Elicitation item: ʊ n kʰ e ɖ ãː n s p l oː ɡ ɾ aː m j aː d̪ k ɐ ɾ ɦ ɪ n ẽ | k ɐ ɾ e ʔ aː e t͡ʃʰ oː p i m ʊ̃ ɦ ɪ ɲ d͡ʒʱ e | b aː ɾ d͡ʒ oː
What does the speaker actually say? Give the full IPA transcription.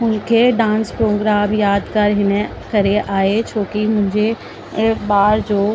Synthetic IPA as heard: ʊ n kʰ e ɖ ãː n s p ɾ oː ɡ ɾ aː m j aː d̪ k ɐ ɾ ɦ ɪ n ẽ | k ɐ ɾ e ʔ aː e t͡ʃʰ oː k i m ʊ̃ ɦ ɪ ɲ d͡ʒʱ e | b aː ɾ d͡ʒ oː